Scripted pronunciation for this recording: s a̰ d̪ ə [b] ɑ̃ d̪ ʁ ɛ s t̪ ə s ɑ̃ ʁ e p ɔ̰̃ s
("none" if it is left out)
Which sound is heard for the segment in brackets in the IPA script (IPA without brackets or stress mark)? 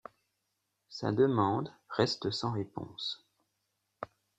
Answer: m